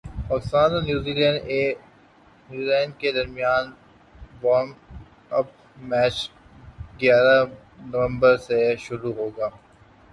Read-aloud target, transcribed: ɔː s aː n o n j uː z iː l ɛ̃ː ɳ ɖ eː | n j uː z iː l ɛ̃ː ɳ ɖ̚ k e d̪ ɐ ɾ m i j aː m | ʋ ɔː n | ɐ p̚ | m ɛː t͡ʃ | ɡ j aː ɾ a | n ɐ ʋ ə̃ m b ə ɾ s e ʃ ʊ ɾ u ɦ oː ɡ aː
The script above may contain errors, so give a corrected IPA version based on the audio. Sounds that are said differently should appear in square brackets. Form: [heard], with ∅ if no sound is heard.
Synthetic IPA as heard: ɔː s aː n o n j uː z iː l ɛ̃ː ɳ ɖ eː | n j uː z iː l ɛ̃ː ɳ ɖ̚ k e d̪ ɐ ɾ m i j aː [n] | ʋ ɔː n | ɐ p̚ | m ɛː t͡ʃ | ɡ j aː ɾ a | n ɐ ʋ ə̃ m b ə ɾ s e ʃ ʊ ɾ u ɦ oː ɡ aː